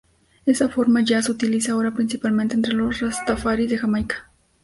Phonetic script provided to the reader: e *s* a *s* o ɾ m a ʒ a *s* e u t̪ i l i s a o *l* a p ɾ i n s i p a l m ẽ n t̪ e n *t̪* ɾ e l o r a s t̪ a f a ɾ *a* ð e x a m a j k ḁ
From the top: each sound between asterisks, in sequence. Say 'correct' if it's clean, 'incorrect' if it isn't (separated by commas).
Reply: correct, incorrect, correct, incorrect, correct, incorrect